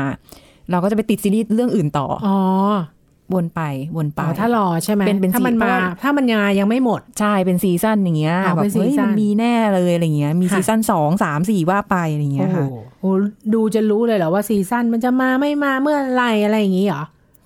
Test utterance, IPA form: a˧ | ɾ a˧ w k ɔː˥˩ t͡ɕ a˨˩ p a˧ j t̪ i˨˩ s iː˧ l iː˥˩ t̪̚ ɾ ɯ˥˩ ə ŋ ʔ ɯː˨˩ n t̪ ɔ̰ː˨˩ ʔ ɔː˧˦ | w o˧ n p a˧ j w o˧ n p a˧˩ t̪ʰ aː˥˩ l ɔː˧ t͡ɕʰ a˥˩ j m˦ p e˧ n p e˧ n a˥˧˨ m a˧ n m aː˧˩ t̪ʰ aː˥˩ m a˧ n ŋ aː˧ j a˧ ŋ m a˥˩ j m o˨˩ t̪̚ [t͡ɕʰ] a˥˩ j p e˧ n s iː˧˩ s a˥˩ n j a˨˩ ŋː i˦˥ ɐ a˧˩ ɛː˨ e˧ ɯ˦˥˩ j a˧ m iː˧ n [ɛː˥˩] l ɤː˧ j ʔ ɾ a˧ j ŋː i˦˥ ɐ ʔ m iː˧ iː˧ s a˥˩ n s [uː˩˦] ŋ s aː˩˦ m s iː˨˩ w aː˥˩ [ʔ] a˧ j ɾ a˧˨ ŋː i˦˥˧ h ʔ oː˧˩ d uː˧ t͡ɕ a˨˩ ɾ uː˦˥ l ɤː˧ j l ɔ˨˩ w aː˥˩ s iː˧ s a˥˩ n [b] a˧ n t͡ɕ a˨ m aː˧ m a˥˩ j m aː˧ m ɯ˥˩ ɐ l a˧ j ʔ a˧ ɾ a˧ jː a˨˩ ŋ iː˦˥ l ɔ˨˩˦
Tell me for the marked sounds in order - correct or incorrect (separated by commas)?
correct, correct, incorrect, incorrect, incorrect